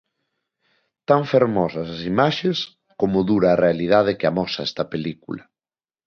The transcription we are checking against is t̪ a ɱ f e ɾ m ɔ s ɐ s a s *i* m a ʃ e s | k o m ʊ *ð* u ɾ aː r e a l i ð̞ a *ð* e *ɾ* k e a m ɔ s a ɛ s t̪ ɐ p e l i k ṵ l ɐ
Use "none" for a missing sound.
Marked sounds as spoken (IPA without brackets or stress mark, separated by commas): i, ð, ð, none